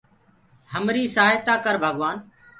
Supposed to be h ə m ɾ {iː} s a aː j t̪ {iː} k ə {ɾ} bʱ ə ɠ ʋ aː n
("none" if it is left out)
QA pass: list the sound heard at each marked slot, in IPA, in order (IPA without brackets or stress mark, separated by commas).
iː, aː, ɾ